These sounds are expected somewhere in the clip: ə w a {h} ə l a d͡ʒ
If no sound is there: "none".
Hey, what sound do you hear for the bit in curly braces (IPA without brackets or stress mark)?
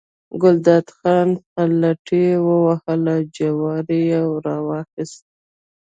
h